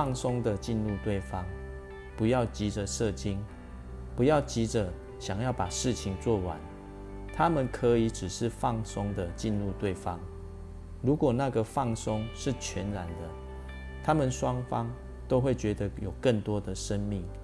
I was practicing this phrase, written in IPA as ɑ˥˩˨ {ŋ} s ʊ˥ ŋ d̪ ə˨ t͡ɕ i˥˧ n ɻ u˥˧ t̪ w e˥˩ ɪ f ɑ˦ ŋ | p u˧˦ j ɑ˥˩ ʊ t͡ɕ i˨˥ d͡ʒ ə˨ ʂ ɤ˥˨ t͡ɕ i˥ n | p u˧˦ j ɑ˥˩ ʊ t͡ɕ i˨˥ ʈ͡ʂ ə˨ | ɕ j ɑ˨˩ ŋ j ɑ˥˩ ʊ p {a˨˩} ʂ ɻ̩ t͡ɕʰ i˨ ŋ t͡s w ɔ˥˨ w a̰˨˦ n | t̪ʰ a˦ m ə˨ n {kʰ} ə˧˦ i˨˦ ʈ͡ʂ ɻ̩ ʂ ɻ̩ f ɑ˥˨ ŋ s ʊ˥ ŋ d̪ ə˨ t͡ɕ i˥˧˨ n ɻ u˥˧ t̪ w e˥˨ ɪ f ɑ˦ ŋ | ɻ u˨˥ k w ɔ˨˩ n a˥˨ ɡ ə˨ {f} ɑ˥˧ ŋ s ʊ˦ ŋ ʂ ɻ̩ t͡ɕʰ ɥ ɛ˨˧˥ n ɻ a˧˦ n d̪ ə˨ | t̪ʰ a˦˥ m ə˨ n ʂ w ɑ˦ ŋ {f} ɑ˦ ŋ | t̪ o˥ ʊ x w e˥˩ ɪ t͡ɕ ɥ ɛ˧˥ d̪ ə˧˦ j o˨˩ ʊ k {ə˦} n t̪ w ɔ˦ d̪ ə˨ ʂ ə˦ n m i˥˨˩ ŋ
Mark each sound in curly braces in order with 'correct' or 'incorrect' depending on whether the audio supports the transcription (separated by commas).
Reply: correct, correct, correct, correct, correct, incorrect